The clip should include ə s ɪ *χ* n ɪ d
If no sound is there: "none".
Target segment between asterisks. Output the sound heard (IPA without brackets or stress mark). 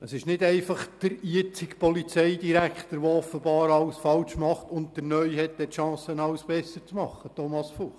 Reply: ʃ